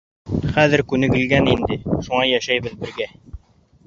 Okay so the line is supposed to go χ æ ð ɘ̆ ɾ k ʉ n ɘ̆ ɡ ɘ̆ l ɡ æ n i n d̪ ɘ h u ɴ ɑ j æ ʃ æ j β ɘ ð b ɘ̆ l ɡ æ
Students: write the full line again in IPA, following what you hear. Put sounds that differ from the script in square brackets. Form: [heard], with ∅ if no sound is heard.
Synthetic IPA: χ æ ð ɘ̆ ɾ k ʉ n ɘ̆ ɡ ɘ̆ l ɡ æ n i n d̪ ɘ [ʃ] u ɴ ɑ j æ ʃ æ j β ɘ ð b ɘ̆ [ɾ] ɡ æ